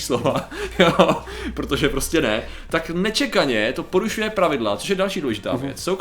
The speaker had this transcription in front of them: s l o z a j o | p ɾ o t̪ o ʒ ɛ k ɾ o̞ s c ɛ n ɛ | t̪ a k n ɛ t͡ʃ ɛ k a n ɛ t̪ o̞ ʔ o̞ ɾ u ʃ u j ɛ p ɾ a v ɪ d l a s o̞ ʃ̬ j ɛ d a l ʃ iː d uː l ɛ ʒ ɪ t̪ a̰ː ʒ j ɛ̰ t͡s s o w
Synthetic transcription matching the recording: s l o v a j o | p ɾ o t̪ o ʒ ɛ p ɾ o̞ s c ɛ n ɛ | t̪ a k n ɛ t͡ʃ ɛ k a ɲ ɛ t̪ o̞ p o̞ ɾ u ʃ u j ɛ p ɾ a v ɪ d l a t͡s o̞ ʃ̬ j ɛ d a l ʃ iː d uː l ɛ ʒ ɪ t̪ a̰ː v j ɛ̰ t͡s s o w